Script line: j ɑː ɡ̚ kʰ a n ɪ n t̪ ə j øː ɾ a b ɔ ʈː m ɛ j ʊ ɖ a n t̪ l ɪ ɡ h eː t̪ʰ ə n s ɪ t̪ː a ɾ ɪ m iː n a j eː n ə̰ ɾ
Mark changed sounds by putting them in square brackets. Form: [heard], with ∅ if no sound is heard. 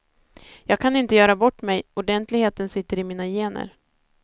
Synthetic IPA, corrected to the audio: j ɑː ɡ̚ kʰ a n ɪ n t̪ ə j [œː] ɾ a b ɔ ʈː m ɛ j ʊ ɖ [ɛ] n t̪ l ɪ ɡ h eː [t̪] ə n s ɪ t̪ː [ə] ɾ ɪ m iː n a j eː n ə̰ ɾ